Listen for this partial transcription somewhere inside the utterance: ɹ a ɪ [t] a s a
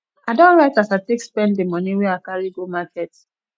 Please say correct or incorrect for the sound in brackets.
correct